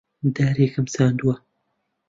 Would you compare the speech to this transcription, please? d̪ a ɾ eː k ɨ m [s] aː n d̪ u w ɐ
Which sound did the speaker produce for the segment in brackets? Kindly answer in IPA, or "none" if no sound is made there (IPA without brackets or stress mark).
s